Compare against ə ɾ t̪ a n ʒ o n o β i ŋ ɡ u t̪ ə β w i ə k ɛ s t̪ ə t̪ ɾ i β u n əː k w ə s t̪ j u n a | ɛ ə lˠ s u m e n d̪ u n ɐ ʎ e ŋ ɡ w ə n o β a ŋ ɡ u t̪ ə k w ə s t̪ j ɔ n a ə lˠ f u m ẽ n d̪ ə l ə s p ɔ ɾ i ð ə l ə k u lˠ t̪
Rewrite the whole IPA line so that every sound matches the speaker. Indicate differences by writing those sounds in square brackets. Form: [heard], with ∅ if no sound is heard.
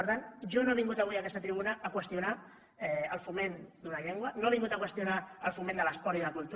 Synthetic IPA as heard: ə ɾ t̪ a n ʒ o n o β i ŋ ɡ u t̪ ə β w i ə k ɛ s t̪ ə t̪ ɾ i β u n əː k w ə s t̪ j u n a | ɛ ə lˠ [f] u m e n d̪ u n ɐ ʎ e ŋ ɡ w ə n o β [i] ŋ ɡ u t̪ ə k w ə s t̪ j [u] n a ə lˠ f u m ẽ n d̪ ə l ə s p ɔ ɾ i ð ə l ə k u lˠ t̪

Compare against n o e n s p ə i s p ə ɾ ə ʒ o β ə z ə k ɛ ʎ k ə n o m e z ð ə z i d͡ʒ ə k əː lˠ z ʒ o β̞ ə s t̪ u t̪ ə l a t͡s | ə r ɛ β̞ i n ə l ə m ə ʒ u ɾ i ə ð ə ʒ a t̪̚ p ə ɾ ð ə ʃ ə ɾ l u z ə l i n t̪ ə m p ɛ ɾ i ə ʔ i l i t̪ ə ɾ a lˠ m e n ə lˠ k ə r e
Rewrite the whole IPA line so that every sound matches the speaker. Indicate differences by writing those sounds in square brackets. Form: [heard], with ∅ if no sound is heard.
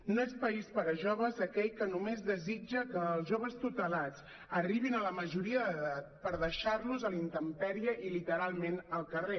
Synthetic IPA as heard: n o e [∅] s p ə i s p ə ɾ ə ʒ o β ə z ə k ɛ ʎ k ə n [u] m e z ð ə z i d͡ʒ ə k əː lˠ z ʒ o β̞ ə s t̪ u t̪ ə l a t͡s | ə r [i] β̞ i n ə l ə m ə ʒ u ɾ i ə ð ə [ð] a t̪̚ p ə ɾ ð ə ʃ [a] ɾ l u z ə l i n t̪ ə m p ɛ ɾ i ə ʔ i l i t̪ ə ɾ a lˠ m e n ə lˠ k ə r e

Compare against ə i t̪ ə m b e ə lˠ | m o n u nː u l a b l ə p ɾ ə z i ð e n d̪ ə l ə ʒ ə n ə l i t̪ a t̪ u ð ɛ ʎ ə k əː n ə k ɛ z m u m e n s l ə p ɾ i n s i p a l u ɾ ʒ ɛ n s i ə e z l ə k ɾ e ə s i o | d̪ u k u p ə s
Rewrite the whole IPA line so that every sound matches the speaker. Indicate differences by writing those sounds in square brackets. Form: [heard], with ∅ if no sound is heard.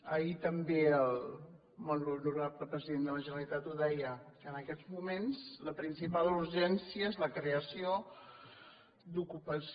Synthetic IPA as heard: ə i t̪ ə m b e ə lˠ | m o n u [n] u [ɾ] a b l ə p ɾ ə z i ð e n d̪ ə l ə ʒ ə n ə l i t̪ a t̪ u ð ɛ [j] ə k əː n ə k ɛ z m u m e n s l ə p ɾ i n s i p a l u ɾ ʒ ɛ n s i ə e z l ə k ɾ e ə s i o | d̪ u k u p ə s

